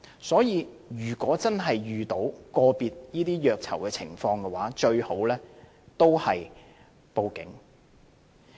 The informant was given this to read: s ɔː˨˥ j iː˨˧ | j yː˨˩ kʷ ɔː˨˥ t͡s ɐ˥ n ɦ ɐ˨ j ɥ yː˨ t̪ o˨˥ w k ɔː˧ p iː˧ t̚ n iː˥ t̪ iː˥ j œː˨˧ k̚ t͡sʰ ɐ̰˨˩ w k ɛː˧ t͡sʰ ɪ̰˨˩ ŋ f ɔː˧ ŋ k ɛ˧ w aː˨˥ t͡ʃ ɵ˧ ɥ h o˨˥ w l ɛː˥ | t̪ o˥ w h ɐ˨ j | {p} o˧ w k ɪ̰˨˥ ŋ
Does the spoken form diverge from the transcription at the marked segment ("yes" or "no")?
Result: no